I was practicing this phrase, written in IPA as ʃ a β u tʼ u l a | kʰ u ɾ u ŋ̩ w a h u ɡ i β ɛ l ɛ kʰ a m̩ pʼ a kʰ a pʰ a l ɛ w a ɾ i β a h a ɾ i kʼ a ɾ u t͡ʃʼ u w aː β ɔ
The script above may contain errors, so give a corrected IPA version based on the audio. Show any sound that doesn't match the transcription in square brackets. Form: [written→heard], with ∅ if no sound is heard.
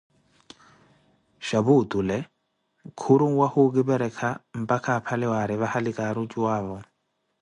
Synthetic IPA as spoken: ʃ a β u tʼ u l [a→ɛ] | kʰ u ɾ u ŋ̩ w a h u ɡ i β ɛ [l→ɾ] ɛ kʰ a m̩ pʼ a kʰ a pʰ a l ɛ w a ɾ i β a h a [ɾ→l] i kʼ a ɾ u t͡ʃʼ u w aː β ɔ